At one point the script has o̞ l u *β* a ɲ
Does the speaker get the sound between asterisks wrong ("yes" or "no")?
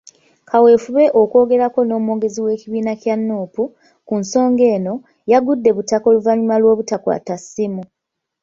yes